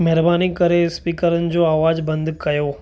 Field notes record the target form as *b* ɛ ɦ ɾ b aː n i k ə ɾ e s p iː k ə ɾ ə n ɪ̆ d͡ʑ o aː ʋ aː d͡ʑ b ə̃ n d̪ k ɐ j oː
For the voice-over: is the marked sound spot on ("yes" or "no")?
no